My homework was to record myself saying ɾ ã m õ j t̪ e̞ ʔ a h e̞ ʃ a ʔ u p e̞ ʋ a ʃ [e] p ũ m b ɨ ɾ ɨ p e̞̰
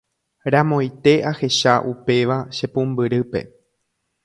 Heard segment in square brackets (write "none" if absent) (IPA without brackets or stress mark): e